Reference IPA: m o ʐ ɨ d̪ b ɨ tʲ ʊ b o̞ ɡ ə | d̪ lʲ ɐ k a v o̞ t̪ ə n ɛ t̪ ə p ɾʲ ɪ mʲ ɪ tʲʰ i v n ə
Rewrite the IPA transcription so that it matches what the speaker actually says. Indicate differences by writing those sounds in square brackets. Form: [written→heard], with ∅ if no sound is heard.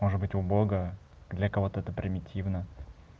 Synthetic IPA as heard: m o ʐ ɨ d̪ b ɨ tʲ ʊ b o̞ ɡ ə | d̪ lʲ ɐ k [a→ɐ] v o̞ t̪ ə [n→∅] ɛ t̪ ə p ɾʲ ɪ mʲ ɪ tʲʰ i v n ə